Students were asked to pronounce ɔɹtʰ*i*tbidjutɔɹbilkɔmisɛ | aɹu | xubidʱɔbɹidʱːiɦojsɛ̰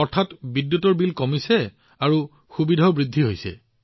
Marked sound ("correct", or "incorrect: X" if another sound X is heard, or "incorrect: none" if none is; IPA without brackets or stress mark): incorrect: a